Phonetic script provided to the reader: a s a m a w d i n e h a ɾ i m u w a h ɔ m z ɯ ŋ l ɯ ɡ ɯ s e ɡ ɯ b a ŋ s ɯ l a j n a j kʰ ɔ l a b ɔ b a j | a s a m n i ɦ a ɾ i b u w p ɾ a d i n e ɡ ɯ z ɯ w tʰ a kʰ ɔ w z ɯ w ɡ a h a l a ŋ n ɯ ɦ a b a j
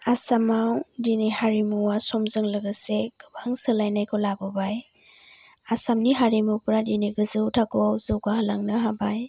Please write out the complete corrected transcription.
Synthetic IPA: a s a m a w d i n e h a ɾ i m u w a s ɔ m z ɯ ŋ l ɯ ɡ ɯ s e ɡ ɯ b a ŋ s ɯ l a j n a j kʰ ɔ l a b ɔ b a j | a s a m n i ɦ a ɾ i m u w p ɾ a d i n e ɡ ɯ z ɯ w tʰ a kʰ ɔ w z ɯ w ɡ a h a l a ŋ n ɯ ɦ a b a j